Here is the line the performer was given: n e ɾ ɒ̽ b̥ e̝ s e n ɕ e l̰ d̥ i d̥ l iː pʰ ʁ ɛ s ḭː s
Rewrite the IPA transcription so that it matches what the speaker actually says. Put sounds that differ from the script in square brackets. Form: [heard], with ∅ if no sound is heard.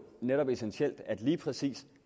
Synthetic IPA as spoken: n e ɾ ɒ̽ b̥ e̝ s e n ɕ e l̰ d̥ [æ] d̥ l iː pʰ ʁ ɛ s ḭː s

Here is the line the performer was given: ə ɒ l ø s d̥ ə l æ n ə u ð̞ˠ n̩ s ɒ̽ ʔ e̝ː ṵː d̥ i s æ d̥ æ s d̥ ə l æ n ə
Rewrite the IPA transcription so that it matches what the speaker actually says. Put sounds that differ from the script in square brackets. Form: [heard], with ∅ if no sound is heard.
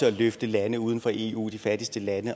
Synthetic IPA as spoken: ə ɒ l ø [f] d̥ ə l æ n ə u ð̞ˠ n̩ [f] ɒ̽ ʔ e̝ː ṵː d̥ i [f] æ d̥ [i] s d̥ ə l æ n ə

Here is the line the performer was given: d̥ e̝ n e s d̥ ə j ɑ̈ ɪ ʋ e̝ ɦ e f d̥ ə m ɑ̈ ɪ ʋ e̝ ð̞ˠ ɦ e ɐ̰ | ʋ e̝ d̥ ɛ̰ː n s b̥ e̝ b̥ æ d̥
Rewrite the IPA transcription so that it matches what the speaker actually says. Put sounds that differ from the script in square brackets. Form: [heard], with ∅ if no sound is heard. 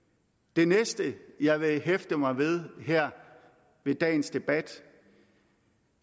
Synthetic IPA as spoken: d̥ e̝ n e s d̥ ə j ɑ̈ ɪ ʋ e̝ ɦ e f d̥ ə m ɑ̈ ɪ ʋ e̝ ð̞ˠ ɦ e ɐ̰ | ʋ e̝ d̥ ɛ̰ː n s [d̥] e̝ b̥ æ d̥

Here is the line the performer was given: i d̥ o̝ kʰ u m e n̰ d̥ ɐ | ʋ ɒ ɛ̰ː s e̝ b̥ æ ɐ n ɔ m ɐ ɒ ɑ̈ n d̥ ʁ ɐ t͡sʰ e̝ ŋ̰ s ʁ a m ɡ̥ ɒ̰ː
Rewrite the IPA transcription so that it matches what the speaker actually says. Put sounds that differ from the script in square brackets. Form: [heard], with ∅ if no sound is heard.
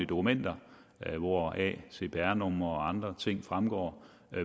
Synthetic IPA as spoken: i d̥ o̝ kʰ u m e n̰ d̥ ɐ | ʋ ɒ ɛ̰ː s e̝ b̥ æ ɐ n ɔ m ɐ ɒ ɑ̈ n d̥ ʁ ɐ t͡sʰ e̝ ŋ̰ [f] ʁ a m ɡ̥ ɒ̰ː

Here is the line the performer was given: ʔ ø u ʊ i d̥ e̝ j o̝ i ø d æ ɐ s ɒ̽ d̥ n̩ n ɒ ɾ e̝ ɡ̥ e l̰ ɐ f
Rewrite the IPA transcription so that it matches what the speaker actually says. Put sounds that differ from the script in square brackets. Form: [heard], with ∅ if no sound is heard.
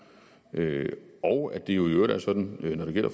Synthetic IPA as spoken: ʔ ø [ɒ] ʊ [æ] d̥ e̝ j o̝ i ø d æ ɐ s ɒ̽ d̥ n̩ n ɒ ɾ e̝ ɡ̥ e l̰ ɐ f

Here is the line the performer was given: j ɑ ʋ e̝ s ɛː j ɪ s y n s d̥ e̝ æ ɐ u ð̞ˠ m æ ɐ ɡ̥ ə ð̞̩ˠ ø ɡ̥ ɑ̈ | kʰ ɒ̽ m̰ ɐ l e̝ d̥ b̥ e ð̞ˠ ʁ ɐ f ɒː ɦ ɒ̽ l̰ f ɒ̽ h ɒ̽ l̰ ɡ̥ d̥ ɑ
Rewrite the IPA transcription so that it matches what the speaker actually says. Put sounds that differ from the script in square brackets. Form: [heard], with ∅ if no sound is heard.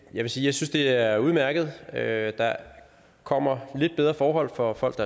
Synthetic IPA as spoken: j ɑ ʋ e̝ s [iː] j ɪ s y n s d̥ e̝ æ ɐ u ð̞ˠ m æ ɐ ɡ̥ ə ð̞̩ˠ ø [d̥] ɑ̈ | kʰ ɒ̽ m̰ ɐ l e̝ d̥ b̥ e ð̞ˠ ʁ ɐ f ɒː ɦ ɒ̽ l̰ f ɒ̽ [f] ɒ̽ l̰ ɡ̥ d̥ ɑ

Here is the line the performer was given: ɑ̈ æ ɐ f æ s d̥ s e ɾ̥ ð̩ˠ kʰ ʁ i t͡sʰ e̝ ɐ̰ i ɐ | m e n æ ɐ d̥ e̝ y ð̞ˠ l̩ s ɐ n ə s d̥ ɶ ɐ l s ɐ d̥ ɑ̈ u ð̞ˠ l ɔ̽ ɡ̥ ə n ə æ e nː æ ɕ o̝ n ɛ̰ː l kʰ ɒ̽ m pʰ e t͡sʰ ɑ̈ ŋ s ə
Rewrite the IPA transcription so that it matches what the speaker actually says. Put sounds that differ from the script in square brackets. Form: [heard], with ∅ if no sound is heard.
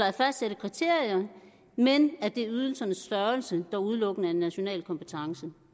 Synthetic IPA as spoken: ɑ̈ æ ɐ f æ s d̥ s e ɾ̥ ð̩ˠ kʰ ʁ i t͡sʰ e̝ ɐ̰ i ɐ | m e n æ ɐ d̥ e̝ y ð̞ˠ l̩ s ɐ n ə s d̥ ɶ ɐ l s [ə] d̥ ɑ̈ u ð̞ˠ l ɔ̽ ɡ̥ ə n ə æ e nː æ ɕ o̝ n ɛ̰ː l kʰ ɒ̽ m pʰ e t͡sʰ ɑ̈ ŋ s ə

